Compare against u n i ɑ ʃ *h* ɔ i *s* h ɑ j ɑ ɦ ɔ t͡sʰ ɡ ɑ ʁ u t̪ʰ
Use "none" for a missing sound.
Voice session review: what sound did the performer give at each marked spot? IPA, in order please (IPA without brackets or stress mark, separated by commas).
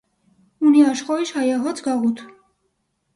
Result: χ, ʃ